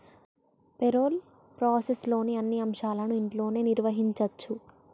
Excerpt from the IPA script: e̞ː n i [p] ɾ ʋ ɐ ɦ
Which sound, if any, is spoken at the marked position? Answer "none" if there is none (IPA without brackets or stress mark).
none